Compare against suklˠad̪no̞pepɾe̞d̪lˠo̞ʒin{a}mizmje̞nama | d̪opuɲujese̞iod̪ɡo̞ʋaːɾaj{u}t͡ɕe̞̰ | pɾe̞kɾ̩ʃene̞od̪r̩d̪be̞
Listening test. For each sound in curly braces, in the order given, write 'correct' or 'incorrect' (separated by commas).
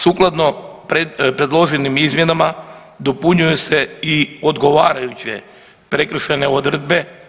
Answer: incorrect, correct